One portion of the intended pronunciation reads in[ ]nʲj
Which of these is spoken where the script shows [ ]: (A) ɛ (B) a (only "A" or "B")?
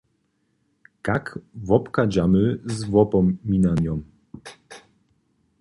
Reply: B